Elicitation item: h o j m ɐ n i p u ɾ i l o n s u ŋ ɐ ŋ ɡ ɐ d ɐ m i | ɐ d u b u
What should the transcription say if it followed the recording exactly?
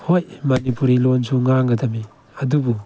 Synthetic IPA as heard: h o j m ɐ n i p u ɾ i l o n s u ŋ a ŋ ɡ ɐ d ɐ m i | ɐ d u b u

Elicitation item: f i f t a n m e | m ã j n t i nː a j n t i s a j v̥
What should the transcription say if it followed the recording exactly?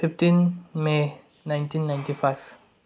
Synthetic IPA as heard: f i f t i n m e | n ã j n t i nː a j n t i f a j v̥

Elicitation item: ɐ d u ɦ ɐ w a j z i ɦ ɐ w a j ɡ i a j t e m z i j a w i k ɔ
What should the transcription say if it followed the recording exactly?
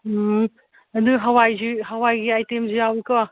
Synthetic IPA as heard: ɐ d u ɦ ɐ w a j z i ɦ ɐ w a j ɡ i a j t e m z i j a w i k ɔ

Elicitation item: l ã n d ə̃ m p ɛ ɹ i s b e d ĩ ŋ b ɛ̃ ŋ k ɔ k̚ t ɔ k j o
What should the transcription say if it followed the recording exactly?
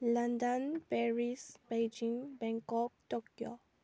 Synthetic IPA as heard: l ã n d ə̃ n p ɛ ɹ i s b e d͡ʒ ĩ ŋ b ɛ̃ ŋ k ɔ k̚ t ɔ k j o

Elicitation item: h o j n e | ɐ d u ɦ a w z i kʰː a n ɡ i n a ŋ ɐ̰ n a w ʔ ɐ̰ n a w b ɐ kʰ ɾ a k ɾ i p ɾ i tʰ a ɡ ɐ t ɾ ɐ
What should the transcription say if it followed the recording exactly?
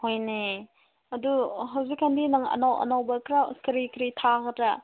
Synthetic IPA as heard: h o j n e | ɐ d u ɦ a w z i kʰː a n d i n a ŋ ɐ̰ n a w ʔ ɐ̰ n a w b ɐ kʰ ɾ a k ɾ i k ɾ i tʰ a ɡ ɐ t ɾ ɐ

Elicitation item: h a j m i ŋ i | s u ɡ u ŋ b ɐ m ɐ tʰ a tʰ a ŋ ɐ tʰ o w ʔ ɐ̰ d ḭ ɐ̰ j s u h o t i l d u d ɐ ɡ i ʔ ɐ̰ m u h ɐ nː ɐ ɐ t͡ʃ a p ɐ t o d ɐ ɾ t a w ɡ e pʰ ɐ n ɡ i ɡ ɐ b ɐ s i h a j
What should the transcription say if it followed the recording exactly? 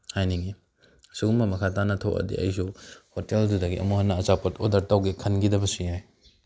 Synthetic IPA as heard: h a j n i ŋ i | s u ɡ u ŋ b ɐ m ɐ kʰ a t a n ɐ tʰ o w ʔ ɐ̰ d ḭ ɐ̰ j s u h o t e l d u d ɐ ɡ i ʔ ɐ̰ m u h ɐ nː ɐ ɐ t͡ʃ a p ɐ t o d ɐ ɾ t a w ɡ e kʰ ɐ n ɡ i d ɐ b ɐ s i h a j

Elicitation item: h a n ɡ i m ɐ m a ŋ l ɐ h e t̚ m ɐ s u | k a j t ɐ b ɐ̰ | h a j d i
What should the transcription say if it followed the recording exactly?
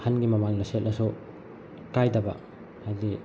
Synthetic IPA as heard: h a n ɡ i m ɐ m a ŋ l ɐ s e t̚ n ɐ s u | k a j d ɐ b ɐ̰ | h a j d i

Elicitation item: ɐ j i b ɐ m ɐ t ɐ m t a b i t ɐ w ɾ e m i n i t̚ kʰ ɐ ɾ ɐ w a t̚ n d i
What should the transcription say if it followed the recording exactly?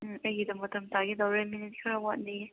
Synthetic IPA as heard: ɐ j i d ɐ m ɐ t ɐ m t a ɡ i d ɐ w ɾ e m i n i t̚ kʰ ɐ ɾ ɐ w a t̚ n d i

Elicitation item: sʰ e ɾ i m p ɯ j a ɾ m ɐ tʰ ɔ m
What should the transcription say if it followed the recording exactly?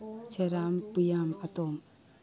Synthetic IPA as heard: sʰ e ɾ a m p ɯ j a m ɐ t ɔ m

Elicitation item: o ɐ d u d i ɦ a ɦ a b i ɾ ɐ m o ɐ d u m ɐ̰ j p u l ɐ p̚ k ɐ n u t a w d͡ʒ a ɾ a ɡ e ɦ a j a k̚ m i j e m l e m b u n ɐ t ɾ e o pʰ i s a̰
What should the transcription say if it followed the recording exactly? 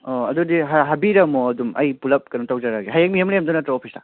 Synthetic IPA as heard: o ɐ d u d i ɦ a ɦ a b i ɾ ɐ m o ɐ d u m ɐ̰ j p u l ɐ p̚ k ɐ n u t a w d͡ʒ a ɾ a ɡ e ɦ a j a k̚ m i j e m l e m d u n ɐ t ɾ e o pʰ i s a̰

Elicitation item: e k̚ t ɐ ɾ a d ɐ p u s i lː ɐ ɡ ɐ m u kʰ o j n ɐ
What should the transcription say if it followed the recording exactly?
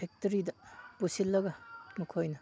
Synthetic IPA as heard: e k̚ t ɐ ɾ i d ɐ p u s i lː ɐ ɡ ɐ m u kʰ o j n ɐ

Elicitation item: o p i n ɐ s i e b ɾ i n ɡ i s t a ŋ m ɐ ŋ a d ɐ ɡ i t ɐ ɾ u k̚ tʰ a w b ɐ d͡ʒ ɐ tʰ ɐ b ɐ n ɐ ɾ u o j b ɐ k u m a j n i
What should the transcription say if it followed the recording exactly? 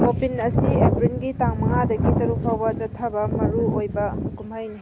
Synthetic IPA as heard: o p i n ɐ s i e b ɾ i n ɡ i t a ŋ m ɐ ŋ a d ɐ ɡ i t ɐ ɾ u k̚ pʰ a w b ɐ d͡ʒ ɐ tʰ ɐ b ɐ m ɐ ɾ u o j b ɐ k u m a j n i

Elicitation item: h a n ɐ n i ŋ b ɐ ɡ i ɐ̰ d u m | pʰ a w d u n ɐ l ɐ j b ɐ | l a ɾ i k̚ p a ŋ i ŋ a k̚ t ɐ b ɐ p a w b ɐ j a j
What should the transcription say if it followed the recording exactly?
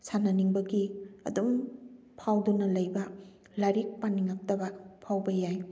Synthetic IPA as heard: s a n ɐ n i ŋ b ɐ ɡ i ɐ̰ d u m | pʰ a w d u n ɐ l ɐ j b ɐ | l a ɾ i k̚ p a n i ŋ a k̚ t ɐ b ɐ pʰ a w b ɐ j a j

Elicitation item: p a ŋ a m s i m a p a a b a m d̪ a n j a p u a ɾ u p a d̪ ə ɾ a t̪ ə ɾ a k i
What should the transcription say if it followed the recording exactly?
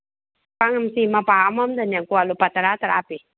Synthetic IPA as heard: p a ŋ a m s i m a p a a m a m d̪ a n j a k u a l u p a t̪ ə ɾ a t̪ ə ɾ a p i

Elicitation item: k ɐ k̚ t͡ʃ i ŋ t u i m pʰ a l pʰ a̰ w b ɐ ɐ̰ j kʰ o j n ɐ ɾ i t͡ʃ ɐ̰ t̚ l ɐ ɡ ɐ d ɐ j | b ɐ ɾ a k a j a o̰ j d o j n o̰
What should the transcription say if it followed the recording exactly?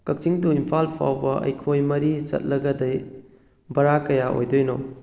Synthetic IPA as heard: k ɐ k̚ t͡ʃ i ŋ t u i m pʰ a l pʰ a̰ w b ɐ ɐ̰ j kʰ o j m ɐ ɾ i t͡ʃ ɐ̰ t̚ l ɐ ɡ ɐ d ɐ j | b ɐ ɾ a k ɐ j a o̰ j d o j n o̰

